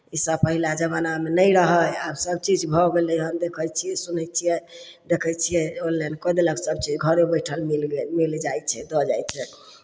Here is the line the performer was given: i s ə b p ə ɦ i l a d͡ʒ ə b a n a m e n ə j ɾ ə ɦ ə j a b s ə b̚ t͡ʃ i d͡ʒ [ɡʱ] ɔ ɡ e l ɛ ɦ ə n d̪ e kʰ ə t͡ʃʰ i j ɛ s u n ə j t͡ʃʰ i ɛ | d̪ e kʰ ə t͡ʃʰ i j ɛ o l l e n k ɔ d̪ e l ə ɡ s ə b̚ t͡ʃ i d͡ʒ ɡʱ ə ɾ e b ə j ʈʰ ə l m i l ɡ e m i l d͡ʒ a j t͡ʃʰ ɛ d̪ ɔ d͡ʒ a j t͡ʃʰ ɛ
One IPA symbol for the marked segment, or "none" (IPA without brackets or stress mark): bʱ